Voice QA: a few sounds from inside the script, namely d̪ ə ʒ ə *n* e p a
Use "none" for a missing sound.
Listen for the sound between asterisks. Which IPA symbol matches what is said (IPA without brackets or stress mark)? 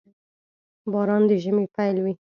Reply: m